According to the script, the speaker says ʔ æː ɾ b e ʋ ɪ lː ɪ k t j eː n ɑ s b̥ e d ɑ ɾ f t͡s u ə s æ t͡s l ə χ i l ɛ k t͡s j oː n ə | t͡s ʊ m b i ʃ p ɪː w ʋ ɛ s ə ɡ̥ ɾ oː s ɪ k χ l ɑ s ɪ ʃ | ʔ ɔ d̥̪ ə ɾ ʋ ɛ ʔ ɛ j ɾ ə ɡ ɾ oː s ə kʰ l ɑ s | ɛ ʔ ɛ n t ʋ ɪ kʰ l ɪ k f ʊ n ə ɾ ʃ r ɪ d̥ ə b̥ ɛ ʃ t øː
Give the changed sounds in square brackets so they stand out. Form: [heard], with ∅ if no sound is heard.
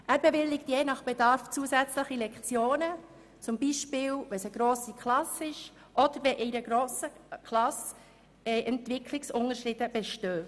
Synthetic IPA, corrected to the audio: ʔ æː ɾ b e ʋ ɪ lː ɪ k t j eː n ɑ [χ] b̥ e d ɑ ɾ f t͡s u ə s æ t͡s l ə χ i l ɛ k t͡s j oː n ə | t͡s ʊ m b i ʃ p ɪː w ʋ ɛ s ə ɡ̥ ɾ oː s [i] k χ l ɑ s ɪ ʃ | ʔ ɔ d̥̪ ə ɾ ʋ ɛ ʔ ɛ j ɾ ə ɡ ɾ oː s ə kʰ l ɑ s | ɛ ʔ ɛ n t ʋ ɪ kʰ l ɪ k [s] ʊ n ə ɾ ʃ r ɪ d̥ ə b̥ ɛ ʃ t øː